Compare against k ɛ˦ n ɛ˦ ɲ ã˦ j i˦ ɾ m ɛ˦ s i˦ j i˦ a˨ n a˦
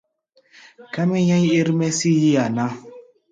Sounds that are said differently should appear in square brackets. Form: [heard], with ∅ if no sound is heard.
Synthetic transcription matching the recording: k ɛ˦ [m] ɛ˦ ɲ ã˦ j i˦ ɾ m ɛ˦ s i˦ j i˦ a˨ n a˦

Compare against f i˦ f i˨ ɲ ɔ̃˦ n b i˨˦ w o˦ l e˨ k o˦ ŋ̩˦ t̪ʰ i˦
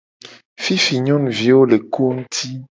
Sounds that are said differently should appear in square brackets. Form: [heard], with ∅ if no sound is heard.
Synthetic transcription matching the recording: f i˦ f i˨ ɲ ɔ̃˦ n [v] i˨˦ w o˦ l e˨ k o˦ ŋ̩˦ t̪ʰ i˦

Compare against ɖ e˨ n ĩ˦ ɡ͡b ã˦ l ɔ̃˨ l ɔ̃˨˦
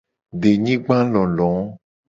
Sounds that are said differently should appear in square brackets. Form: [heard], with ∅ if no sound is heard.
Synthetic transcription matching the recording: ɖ e˨ [ɲ] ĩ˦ ɡ͡b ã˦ l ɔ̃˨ l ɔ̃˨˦

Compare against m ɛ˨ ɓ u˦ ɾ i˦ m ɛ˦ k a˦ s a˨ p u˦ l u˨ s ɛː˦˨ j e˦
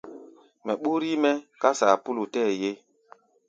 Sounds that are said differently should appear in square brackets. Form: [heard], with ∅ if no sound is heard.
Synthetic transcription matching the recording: m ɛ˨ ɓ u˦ ɾ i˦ m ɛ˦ k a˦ s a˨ p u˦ l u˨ [t] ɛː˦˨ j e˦

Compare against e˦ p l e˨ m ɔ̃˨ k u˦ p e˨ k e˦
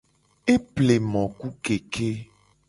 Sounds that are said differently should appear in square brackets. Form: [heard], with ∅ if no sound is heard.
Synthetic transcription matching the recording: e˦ p l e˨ m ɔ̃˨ k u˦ [k] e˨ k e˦

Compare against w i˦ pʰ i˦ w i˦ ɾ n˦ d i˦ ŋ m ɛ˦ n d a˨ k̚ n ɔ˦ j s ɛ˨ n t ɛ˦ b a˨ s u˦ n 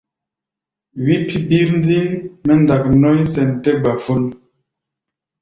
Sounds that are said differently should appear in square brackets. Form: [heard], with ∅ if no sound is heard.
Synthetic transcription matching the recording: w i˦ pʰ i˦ [b] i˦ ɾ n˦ d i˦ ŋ m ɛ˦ n d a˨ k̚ n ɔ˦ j s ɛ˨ n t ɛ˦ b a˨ [f] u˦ n

